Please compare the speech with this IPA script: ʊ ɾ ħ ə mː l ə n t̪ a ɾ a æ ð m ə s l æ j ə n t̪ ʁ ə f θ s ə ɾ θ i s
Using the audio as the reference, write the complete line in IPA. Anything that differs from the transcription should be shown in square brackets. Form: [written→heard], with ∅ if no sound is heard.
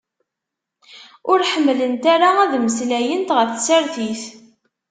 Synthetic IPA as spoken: ʊ ɾ ħ ə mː l ə n t̪ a ɾ a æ ð m ə s l æ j ə n t̪ ʁ ə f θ s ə ɾ θ i [s→θ]